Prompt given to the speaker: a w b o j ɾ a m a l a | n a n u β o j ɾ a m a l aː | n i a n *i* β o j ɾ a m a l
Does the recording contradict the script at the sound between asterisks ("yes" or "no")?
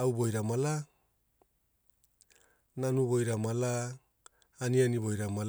no